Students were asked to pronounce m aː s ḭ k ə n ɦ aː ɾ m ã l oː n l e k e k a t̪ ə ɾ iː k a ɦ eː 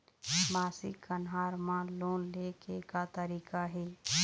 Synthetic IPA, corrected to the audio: m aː s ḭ k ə n ɦ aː ɾ m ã l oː n l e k e k a t̪ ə ɾ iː k a ɦ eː